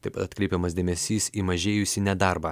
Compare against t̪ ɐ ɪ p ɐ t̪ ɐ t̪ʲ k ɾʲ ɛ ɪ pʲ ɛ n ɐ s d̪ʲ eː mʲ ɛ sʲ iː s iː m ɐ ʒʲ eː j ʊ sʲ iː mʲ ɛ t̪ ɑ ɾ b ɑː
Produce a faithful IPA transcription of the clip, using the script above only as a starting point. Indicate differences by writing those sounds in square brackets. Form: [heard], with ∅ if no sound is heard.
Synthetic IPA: t̪ ɐ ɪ p ɐ t̪ ɐ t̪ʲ k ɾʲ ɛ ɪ pʲ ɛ [m] ɐ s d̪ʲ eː mʲ ɛ sʲ iː s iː m ɐ ʒʲ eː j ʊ sʲ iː [nʲ] ɛ [d̪] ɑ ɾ b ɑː